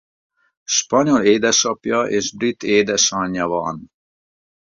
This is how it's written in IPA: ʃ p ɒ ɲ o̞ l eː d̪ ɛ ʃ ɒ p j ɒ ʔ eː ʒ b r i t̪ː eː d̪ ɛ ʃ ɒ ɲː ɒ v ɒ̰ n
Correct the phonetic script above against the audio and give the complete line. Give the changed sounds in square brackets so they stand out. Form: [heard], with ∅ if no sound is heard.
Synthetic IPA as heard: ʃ p ɒ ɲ o̞ l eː d̪ ɛ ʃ ɒ p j ɒ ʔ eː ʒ b r i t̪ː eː d̪ ɛ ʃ ɒ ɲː ɒ v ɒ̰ n